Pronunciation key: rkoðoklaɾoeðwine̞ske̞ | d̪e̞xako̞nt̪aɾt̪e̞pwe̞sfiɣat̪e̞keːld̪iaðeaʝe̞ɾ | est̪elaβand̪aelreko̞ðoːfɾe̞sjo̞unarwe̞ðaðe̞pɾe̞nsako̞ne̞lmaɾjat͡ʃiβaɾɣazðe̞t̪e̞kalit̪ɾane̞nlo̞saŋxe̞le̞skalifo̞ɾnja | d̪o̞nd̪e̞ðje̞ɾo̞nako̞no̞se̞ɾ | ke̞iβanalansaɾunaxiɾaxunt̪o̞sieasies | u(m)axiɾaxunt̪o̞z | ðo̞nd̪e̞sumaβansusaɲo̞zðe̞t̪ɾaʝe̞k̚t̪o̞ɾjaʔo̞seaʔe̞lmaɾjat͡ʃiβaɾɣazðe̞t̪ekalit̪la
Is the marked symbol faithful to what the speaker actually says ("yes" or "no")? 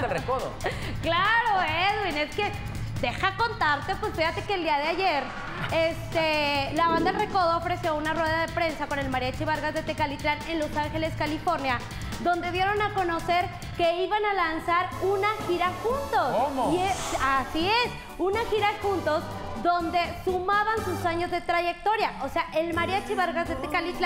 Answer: no